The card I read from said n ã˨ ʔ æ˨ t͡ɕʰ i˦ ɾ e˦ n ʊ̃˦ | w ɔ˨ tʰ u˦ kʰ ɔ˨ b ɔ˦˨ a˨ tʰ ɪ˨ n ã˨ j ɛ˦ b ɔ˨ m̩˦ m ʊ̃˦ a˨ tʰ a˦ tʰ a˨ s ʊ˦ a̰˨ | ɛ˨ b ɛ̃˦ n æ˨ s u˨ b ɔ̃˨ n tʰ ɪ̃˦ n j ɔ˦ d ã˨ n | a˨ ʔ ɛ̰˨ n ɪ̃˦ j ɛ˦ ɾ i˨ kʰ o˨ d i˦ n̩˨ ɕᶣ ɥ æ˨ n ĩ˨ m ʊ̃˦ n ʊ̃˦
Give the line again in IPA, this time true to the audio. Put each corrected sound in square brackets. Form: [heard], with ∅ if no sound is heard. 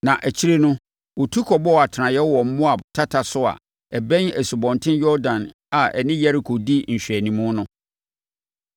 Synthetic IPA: n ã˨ ʔ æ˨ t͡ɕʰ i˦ ɾ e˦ n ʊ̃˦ | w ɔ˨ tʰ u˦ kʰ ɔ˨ b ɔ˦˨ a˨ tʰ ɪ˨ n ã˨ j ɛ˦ [w] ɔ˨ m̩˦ m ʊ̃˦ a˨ tʰ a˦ tʰ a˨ s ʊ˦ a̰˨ | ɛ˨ b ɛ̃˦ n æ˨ s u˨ b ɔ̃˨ n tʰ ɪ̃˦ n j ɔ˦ d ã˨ n | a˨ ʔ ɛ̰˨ n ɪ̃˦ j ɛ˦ ɾ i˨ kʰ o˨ d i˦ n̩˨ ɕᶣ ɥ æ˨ n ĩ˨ m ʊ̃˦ n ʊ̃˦